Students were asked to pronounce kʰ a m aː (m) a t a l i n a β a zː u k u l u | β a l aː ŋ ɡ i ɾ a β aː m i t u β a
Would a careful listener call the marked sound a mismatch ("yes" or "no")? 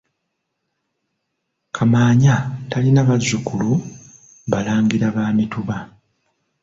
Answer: yes